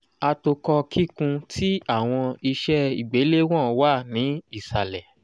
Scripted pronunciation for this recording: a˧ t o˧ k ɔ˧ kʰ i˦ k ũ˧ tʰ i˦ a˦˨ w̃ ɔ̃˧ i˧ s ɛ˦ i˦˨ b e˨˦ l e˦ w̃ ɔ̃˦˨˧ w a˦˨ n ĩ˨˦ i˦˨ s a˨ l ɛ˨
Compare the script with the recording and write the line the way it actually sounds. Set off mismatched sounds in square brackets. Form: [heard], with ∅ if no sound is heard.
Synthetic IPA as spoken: a˧ t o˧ k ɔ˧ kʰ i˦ k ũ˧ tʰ i˦ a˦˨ w̃ ɔ̃˧ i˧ [ʃ] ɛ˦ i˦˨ [ɡ͡b] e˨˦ l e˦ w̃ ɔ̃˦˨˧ w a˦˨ n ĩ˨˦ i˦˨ s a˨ l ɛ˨